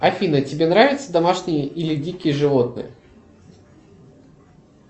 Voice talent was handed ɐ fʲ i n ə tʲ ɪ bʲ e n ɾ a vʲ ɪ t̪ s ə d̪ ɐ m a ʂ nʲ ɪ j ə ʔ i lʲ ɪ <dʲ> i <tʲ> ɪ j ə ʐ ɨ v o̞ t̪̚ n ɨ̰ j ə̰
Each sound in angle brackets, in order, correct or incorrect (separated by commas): correct, incorrect